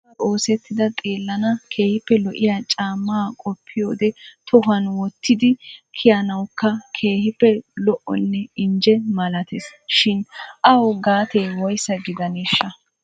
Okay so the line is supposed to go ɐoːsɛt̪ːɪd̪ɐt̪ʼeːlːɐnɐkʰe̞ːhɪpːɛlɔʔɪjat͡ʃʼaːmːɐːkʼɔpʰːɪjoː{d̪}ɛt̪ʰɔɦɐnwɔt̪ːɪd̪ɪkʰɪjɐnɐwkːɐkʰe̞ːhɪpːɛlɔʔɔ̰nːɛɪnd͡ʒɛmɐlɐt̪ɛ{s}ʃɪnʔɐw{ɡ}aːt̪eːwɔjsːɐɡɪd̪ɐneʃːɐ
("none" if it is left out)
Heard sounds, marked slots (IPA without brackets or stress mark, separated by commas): d̪, s, ɡ